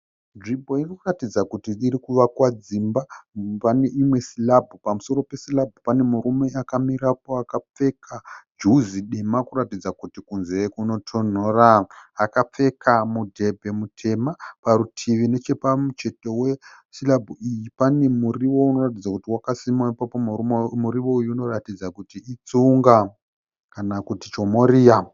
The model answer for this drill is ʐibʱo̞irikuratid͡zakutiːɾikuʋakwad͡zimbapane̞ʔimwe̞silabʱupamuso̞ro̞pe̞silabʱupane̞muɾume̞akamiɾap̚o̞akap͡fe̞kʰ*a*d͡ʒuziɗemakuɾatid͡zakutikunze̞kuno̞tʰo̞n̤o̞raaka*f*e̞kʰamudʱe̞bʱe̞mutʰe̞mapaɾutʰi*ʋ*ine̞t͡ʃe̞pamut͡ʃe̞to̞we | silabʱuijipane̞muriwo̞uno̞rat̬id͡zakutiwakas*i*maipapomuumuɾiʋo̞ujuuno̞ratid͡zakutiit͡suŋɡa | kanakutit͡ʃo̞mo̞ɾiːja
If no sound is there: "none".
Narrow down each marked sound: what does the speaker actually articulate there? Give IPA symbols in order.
a, p͡f, ʋ, i

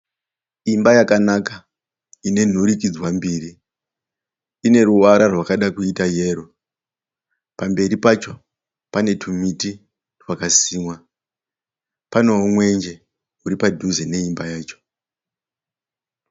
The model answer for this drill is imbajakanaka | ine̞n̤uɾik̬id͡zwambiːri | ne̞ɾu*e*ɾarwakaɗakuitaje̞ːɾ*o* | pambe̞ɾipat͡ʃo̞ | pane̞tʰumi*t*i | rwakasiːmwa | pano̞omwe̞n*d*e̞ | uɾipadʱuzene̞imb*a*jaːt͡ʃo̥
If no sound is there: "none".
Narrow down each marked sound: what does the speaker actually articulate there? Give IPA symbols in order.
a, o, t, d͡ʒ, a

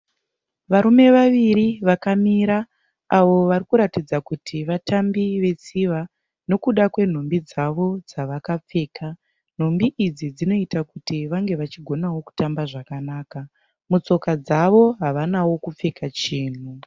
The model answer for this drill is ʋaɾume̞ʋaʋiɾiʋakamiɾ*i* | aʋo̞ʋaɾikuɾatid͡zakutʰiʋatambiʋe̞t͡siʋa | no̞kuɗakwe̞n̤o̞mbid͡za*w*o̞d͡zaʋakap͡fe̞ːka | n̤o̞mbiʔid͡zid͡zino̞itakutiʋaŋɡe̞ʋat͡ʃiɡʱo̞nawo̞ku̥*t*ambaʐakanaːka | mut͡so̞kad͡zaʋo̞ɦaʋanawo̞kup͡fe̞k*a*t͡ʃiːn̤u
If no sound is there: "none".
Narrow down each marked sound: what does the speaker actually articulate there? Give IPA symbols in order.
a, ʋ, t, a

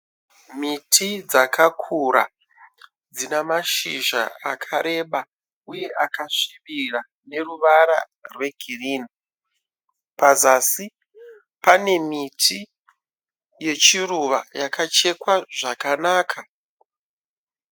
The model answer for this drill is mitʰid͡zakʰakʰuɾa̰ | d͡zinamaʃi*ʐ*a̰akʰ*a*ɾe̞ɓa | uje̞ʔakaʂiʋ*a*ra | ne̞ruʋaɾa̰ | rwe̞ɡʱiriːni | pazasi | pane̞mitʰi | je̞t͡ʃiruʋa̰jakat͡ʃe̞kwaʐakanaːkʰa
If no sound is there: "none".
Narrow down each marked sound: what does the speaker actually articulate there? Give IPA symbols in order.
ʒ, a, i

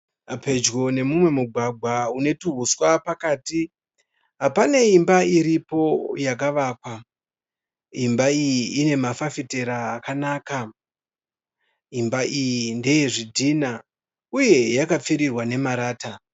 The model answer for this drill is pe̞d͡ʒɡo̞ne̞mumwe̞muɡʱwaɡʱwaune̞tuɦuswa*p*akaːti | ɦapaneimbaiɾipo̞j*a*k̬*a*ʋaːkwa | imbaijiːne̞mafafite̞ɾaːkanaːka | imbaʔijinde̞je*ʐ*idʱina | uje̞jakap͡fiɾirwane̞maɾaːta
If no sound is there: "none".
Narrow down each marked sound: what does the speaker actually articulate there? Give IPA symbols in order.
p, a, a, ʐ

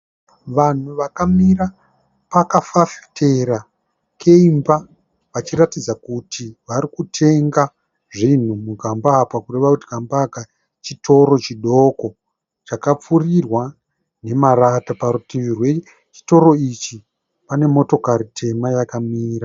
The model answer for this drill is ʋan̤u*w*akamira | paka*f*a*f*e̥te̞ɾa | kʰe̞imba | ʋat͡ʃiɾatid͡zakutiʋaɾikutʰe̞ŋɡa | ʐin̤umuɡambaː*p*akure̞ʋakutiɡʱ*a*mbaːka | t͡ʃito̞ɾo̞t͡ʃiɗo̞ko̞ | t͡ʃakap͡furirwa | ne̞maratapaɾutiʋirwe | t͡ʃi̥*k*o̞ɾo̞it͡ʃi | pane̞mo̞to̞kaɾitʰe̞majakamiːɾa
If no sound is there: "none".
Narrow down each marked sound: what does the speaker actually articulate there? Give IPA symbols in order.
ʋ, f, f, p, a, t

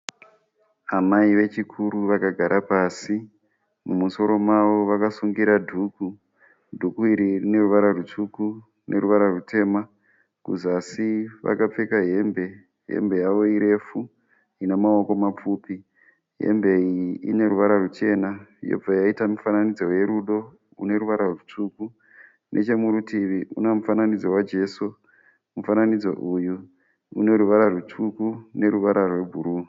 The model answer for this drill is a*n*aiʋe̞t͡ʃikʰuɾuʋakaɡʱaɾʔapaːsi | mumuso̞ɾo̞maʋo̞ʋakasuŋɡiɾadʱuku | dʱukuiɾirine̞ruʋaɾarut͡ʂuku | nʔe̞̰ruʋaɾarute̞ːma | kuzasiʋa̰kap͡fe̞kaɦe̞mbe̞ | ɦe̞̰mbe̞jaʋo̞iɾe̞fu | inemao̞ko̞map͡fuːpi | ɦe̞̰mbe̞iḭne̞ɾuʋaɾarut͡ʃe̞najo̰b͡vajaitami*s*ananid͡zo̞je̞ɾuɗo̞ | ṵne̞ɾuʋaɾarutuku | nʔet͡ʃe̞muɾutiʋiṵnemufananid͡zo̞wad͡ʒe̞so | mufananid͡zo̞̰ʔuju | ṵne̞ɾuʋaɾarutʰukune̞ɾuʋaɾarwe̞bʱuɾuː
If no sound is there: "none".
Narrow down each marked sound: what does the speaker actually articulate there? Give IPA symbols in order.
m, f

